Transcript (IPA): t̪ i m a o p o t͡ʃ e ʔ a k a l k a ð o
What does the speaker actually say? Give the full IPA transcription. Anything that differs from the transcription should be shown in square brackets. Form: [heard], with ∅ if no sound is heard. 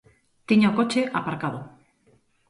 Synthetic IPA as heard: t̪ i [ɲ] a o [k] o t͡ʃ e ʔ a [p] a [ɾ] k a ð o

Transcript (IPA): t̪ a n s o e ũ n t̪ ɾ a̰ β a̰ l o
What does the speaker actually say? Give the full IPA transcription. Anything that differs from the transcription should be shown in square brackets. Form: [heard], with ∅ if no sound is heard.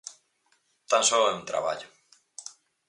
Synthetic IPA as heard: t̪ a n s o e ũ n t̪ ɾ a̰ β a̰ [ʎ] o

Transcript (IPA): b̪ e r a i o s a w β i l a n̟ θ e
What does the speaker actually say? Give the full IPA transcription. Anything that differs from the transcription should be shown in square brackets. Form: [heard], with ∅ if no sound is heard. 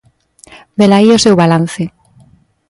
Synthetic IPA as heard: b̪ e [l] a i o s [e] w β [a] l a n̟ θ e

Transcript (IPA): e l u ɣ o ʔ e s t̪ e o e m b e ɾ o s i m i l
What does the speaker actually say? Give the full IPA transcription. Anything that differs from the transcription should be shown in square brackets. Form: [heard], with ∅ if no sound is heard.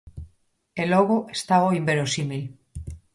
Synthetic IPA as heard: e l [o] ɣ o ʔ e s t̪ [a] o [i] m b e ɾ o s i m i l

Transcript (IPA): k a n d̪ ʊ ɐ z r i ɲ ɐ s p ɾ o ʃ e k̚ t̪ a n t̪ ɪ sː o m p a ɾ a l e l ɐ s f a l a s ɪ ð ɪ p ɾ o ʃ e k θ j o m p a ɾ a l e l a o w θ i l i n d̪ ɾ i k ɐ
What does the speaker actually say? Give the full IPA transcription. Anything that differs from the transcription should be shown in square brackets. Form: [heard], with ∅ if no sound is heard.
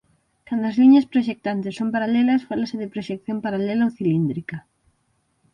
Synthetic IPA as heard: k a n d̪ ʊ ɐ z [l] i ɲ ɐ s p ɾ o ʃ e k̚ t̪ a n t̪ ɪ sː o m p a ɾ a l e l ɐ s f a l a s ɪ ð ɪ p ɾ o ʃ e k θ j o m p a ɾ a l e l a o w θ i l i n d̪ ɾ i k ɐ

